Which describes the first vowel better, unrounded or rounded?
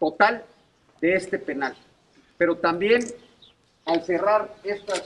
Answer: rounded